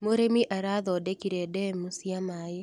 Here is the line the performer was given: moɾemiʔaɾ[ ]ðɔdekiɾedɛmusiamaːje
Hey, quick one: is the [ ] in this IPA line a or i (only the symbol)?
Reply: a